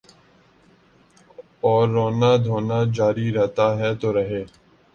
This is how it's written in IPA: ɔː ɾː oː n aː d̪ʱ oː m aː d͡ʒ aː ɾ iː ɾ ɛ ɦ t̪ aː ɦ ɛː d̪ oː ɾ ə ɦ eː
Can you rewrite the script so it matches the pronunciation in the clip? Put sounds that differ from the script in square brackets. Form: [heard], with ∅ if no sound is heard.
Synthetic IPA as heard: ɔː ɾː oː n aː d̪ʱ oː [n] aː d͡ʒ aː ɾ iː ɾ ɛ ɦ t̪ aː ɦ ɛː [t̪] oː ɾ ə ɦ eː

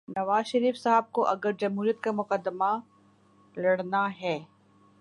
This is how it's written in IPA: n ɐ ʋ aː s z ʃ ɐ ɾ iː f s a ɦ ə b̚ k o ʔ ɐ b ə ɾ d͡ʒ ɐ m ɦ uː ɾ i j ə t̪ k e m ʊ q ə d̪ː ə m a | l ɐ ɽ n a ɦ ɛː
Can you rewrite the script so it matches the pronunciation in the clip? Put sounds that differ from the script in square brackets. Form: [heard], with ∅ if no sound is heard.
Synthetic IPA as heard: n ɐ ʋ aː [∅] z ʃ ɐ ɾ iː f s a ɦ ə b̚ k o ʔ ɐ [ɡ] ə ɾ d͡ʒ ɐ m ɦ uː ɾ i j ə t̪ k [a] m ʊ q ə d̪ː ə m a | l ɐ ɽ n a ɦ ɛː

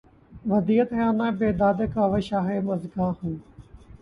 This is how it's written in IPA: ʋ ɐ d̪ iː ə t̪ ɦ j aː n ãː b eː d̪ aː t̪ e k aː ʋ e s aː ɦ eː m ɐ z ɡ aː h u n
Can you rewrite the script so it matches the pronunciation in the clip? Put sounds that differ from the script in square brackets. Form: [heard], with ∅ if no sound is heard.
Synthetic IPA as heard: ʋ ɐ d̪ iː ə t̪ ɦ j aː n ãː b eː d̪ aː [d̪] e k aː ʋ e [ʃ] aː ɦ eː m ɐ z ɡ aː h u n

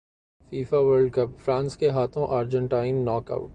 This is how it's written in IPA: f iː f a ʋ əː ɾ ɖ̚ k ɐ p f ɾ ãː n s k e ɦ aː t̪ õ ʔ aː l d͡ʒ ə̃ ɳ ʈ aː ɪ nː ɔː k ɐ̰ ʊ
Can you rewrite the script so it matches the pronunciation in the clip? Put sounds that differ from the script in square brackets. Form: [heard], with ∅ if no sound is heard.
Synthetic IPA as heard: f iː f a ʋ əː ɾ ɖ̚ k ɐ p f ɾ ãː n s k e ɦ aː [t̪ʰ] õ ʔ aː [ɾ] d͡ʒ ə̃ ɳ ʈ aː ɪ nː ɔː k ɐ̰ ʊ

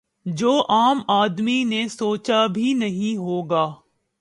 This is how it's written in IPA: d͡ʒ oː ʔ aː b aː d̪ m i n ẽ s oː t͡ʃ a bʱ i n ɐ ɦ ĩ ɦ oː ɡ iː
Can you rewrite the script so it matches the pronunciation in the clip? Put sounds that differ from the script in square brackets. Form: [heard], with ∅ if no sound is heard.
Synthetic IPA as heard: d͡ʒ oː ʔ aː [m] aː d̪ m i n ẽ s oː t͡ʃ a bʱ i n ɐ ɦ ĩ ɦ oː ɡ [aː]

